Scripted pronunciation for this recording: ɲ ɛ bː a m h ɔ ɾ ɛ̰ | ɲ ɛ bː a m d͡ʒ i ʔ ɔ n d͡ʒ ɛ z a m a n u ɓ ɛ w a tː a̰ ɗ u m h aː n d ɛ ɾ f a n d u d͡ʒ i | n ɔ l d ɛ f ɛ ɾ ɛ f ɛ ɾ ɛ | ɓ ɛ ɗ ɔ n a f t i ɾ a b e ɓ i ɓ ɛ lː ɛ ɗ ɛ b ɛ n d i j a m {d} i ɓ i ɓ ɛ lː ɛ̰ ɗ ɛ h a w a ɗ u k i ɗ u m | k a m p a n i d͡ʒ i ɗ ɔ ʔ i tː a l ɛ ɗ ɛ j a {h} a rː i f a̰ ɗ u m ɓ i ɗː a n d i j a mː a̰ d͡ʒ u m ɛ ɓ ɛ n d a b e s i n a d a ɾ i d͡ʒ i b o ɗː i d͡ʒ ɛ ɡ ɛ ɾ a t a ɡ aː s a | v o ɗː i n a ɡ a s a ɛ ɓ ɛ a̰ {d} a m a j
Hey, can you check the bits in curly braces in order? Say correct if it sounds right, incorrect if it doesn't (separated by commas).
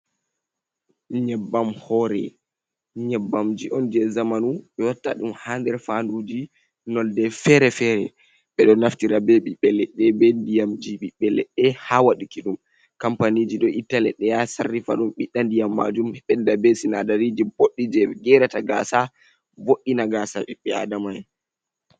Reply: incorrect, incorrect, correct